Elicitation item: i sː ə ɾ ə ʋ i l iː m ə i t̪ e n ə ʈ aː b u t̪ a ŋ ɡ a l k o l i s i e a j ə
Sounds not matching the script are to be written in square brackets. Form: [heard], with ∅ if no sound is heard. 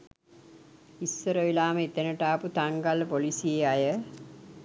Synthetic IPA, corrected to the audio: i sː ə ɾ ə ʋ i l [aː] m ə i t̪ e n ə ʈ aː [p] u t̪ a ŋ ɡ a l [p] o l i s i e a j ə